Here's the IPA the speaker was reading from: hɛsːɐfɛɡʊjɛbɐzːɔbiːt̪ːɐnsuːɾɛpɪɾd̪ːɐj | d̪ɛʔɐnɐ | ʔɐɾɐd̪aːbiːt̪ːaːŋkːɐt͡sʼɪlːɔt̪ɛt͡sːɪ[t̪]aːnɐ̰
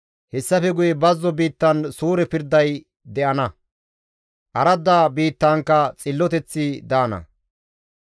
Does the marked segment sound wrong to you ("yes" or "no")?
yes